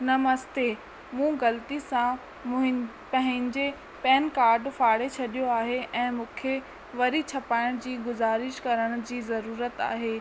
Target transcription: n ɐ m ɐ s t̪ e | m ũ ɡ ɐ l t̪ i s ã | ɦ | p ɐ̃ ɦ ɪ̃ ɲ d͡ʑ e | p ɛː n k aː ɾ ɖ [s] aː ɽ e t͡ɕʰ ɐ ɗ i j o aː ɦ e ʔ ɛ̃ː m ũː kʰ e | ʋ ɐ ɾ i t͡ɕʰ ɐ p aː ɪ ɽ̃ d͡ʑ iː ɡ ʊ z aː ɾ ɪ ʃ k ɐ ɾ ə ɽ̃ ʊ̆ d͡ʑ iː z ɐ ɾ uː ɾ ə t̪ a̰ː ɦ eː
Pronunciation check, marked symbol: incorrect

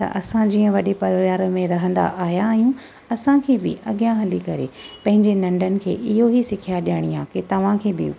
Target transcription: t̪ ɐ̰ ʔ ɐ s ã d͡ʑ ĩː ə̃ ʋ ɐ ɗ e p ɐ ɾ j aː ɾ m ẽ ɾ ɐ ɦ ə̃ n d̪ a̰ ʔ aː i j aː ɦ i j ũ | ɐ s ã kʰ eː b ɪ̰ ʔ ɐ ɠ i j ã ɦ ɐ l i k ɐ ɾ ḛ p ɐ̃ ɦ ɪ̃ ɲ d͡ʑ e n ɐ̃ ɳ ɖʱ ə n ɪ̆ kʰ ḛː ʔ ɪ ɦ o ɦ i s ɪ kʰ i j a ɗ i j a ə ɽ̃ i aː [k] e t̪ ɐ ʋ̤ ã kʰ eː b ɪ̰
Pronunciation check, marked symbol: correct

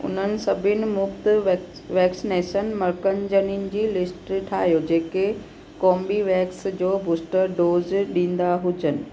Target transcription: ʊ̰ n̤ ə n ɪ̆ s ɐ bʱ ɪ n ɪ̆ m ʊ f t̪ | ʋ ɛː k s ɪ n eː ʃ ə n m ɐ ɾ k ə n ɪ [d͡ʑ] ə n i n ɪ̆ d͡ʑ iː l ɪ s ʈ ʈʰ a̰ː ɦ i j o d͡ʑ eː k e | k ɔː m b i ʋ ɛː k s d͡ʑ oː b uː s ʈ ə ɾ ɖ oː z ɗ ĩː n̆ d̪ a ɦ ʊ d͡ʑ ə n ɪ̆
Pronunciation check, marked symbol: correct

